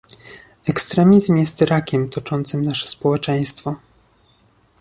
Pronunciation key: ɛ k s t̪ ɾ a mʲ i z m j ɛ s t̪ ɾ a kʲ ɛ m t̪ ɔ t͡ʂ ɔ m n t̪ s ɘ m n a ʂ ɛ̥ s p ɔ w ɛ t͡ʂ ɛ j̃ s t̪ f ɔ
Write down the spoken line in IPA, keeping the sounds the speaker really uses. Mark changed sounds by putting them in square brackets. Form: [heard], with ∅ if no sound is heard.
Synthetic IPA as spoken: ɛ k s t̪ ɾ [ɛ] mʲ i z m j ɛ s t̪ ɾ a kʲ ɛ m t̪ ɔ t͡ʂ ɔ [∅] n t̪ s ɘ m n a ʂ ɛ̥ s p ɔ w ɛ t͡ʂ ɛ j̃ s t̪ f ɔ